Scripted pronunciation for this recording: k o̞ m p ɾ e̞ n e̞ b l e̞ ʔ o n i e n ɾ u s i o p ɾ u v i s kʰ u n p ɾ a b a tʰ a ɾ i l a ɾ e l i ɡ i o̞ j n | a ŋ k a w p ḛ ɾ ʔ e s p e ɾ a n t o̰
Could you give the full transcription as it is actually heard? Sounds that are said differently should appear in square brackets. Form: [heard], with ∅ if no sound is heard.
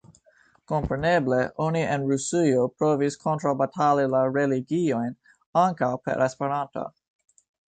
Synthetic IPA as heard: k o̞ m p ɾ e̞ n e̞ b l e̞ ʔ o n i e n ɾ u s i o p ɾ [o] v i s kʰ [o] n [t] ɾ a b a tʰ a [l] i l a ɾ e l i ɡ i o̞ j n | a ŋ k a w p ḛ ɾ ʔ e s p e ɾ a n t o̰